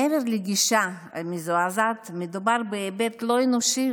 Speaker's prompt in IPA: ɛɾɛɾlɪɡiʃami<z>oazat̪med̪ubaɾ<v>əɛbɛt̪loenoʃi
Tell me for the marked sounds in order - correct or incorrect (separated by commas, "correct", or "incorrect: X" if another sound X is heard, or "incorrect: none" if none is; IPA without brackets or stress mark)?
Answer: correct, incorrect: b